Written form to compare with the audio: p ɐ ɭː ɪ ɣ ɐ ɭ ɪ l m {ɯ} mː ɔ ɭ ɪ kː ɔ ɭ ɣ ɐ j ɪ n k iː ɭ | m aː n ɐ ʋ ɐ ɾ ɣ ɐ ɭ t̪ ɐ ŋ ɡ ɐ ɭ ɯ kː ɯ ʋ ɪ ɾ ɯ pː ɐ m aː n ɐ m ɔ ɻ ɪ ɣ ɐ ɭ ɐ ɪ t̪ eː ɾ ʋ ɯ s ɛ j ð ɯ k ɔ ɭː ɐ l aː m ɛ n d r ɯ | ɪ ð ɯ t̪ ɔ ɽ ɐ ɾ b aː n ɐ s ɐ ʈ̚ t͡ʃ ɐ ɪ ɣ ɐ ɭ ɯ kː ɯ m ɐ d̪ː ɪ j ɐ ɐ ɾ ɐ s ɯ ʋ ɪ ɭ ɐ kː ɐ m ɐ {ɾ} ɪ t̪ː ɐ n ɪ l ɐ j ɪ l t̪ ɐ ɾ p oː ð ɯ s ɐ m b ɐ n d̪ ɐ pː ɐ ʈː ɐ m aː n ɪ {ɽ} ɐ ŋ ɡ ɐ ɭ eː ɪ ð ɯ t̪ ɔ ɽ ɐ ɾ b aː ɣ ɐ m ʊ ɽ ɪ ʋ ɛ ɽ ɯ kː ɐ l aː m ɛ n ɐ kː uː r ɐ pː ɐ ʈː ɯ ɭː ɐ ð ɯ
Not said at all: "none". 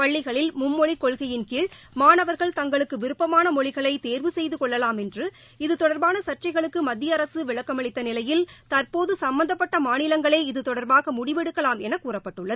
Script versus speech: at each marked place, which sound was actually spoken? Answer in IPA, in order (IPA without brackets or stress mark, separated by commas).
ʊ, ɭ, l